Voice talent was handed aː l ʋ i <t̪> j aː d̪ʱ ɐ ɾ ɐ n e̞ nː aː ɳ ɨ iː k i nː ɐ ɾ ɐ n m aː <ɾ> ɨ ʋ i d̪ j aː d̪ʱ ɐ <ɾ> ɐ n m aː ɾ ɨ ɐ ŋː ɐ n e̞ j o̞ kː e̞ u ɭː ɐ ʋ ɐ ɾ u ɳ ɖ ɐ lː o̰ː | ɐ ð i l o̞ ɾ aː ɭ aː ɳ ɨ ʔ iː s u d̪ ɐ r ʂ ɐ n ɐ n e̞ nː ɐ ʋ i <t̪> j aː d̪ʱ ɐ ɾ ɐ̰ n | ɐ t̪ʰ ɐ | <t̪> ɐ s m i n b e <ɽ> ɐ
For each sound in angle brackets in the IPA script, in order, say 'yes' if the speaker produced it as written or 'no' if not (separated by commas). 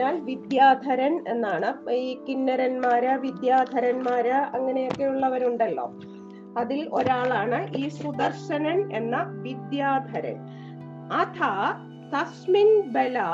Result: no, yes, yes, no, yes, no